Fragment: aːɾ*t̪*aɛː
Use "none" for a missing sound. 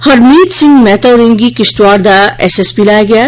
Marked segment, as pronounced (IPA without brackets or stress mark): d̪